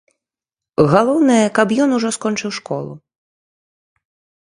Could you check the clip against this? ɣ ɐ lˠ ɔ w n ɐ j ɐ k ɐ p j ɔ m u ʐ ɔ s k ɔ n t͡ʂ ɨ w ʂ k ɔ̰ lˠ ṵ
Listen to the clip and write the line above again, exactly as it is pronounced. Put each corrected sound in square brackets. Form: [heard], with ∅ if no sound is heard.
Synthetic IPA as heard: ɣ [a] lˠ ɔ w n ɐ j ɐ k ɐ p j ɔ [n] u ʐ ɔ s k ɔ n t͡ʂ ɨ w ʂ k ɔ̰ lˠ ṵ

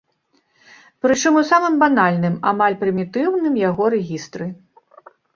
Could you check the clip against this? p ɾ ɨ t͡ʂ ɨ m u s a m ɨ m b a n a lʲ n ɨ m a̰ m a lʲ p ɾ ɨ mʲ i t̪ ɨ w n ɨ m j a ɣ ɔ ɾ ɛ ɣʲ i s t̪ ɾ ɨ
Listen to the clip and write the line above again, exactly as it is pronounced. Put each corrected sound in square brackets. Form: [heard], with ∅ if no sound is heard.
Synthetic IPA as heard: p ɾ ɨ t͡ʂ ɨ m u s a m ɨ m b a n a lʲ n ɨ m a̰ m a lʲ p ɾ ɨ mʲ i t̪ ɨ w n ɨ m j a ɣ ɔ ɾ ɛ ɣʲ i s t̪ ɾ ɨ

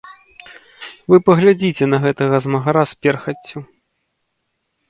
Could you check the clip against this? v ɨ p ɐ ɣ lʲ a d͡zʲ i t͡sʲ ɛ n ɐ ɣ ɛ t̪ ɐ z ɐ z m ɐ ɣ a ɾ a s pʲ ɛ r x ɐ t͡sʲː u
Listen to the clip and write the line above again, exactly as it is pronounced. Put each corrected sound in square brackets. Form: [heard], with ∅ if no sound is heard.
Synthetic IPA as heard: v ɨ p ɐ ɣ lʲ a d͡zʲ i t͡sʲ ɛ n ɐ ɣ ɛ t̪ ɐ [ɣ] ɐ z m ɐ ɣ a ɾ a s pʲ ɛ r x ɐ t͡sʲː u

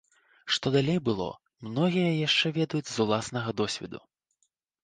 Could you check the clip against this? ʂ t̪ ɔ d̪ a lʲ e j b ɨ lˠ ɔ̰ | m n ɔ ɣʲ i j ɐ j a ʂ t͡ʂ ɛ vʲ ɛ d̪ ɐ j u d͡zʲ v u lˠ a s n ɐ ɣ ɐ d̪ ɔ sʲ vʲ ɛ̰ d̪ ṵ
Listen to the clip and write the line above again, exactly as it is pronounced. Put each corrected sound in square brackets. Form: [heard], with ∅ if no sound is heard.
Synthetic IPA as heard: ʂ t̪ ɔ d̪ a lʲ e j b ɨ lˠ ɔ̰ | m n ɔ ɣʲ i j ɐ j a ʂ t͡ʂ ɛ vʲ ɛ d̪ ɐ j u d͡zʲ [z] u lˠ a s n ɐ ɣ ɐ d̪ ɔ sʲ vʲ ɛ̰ d̪ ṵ

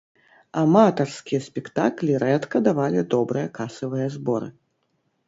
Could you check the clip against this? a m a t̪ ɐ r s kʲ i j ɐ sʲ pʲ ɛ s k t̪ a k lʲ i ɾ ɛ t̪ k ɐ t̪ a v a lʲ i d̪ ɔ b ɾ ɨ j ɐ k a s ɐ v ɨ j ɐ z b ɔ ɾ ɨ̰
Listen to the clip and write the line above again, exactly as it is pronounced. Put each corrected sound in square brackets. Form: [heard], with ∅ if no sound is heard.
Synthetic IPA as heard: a m a t̪ ɐ r s kʲ i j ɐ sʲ pʲ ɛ [∅] k t̪ a k lʲ i ɾ ɛ t̪ k ɐ [d̪] a v a lʲ i d̪ ɔ b ɾ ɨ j ɐ k a s ɐ v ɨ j ɐ z b ɔ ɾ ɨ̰

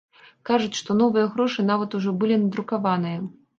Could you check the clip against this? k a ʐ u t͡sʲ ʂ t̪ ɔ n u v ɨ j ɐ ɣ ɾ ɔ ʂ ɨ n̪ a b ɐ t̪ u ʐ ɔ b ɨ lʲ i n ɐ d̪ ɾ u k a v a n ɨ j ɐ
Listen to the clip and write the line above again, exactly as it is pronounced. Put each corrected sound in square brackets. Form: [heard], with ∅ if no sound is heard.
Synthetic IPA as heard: k a ʐ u t͡sʲ ʂ t̪ ɔ n [ɔ] v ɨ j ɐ ɣ ɾ ɔ ʂ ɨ n̪ a [v] ɐ t̪ u ʐ ɔ b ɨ lʲ i n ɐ d̪ ɾ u k a v a n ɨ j ɐ

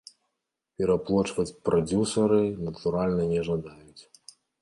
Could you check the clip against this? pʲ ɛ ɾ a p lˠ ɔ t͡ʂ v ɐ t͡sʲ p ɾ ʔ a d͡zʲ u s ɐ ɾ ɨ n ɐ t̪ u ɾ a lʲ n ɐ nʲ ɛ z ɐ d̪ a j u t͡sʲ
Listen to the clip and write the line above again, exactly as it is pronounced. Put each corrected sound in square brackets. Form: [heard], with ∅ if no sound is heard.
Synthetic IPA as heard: pʲ ɛ ɾ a p lˠ ɔ t͡ʂ v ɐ t͡sʲ p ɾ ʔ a d͡zʲ u s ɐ ɾ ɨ n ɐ t̪ u ɾ a lʲ n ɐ nʲ ɛ [ʐ] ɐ d̪ a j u t͡sʲ

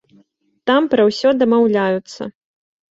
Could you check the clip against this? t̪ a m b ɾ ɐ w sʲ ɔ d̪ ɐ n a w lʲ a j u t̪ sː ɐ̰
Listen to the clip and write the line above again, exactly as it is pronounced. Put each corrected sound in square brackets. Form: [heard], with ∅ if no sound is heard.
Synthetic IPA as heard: t̪ a m [p] ɾ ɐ w sʲ ɔ d̪ ɐ [m] a w lʲ a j u t̪ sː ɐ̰

